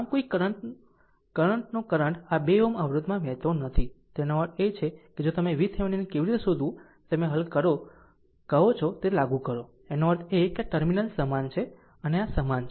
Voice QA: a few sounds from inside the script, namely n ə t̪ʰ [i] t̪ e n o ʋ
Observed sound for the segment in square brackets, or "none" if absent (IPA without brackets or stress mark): i